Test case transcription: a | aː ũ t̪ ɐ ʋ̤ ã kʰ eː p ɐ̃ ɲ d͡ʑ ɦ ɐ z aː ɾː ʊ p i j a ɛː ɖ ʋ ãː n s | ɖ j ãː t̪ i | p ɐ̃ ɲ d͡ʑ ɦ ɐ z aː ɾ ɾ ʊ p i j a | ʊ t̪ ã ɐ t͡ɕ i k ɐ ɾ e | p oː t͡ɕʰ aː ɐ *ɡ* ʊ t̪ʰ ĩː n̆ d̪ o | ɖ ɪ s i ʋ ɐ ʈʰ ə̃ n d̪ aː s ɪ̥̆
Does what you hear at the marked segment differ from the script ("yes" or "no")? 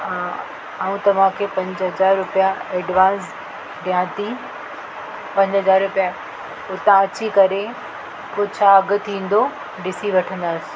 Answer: no